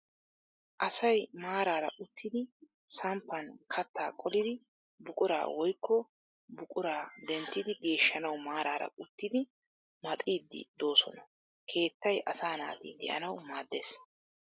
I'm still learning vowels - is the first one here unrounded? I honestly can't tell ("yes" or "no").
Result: yes